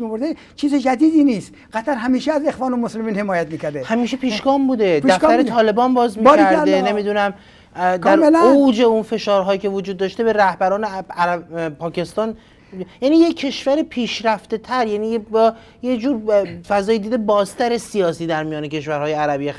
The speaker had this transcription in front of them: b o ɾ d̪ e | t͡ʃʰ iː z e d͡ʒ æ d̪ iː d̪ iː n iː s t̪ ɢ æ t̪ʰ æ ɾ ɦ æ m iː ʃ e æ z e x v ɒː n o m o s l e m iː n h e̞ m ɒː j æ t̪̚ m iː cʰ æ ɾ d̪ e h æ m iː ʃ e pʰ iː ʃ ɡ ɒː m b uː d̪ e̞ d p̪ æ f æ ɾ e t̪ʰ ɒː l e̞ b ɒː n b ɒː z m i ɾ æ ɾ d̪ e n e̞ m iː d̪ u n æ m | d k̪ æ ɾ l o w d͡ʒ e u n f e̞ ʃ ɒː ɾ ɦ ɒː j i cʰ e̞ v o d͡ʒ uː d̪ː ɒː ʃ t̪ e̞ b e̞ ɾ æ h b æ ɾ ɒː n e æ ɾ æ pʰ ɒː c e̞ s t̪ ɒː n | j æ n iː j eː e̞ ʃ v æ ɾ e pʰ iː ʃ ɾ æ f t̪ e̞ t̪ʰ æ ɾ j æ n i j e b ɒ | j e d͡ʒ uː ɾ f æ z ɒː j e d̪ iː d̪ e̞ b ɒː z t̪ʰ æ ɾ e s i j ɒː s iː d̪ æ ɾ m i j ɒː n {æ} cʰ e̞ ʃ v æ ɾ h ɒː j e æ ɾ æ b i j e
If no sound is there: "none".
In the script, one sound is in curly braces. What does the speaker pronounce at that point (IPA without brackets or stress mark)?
e